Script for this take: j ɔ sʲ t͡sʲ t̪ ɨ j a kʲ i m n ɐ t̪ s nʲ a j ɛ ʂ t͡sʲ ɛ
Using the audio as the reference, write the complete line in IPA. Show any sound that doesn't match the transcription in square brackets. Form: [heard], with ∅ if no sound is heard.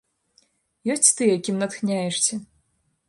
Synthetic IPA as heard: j ɔ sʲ t͡sʲ t̪ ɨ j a kʲ i m n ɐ t̪ [x] nʲ a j ɛ ʂ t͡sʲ ɛ